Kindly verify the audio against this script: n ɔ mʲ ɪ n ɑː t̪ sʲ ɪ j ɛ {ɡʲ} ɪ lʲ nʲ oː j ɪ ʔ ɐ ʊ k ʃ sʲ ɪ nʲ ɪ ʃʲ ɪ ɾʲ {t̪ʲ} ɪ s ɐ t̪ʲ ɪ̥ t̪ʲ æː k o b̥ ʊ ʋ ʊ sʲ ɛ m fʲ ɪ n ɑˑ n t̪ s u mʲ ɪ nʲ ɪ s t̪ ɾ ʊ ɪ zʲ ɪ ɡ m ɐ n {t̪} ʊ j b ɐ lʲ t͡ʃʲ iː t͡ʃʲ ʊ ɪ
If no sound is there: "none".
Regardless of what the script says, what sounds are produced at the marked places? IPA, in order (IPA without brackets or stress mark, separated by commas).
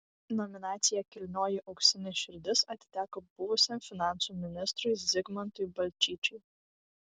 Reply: kʲ, d̪ʲ, t̪